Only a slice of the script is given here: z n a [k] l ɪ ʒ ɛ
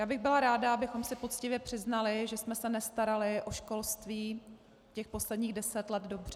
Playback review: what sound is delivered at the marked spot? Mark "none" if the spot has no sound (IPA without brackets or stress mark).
none